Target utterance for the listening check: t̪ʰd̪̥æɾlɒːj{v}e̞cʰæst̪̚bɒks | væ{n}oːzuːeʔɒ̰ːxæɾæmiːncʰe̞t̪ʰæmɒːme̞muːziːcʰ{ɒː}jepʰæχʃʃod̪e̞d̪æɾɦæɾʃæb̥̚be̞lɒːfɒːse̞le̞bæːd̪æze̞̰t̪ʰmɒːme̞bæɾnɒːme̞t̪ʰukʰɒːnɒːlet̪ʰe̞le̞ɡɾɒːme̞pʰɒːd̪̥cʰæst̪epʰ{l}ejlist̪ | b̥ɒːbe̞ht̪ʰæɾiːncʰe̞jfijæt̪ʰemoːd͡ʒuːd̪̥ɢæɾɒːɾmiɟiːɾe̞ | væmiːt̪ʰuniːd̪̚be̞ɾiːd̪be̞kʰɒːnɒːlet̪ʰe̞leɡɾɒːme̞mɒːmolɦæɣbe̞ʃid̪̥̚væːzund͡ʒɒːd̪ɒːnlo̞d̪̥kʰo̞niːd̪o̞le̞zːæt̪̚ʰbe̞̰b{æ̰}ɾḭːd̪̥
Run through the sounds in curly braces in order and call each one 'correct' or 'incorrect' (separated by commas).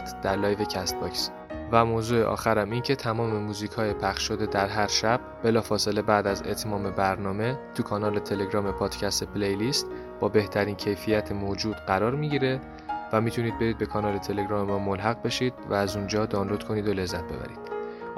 correct, incorrect, correct, correct, correct